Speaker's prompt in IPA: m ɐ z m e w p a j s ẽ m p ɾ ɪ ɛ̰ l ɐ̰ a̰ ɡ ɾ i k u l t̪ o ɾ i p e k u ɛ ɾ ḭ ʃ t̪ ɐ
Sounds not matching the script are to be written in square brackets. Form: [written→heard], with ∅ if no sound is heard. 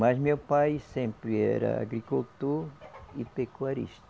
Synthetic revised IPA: m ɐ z m e w p a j s ẽ m p ɾ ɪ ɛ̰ [l→ɾ] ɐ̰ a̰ ɡ ɾ i k u l t̪ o ɾ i p e k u [ɛ→a] ɾ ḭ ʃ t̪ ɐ